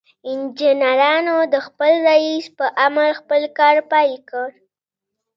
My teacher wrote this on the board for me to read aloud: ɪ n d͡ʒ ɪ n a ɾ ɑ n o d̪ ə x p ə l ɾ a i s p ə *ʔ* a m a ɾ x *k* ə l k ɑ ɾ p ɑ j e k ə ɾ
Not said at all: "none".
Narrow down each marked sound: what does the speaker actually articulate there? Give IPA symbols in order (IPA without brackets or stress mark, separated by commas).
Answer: ʔ, p